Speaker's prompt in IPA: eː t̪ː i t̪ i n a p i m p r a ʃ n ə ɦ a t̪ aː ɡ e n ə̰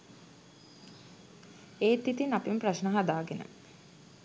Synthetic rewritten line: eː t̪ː i t̪ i n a p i m p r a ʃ n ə ɦ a d̪ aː ɡ e n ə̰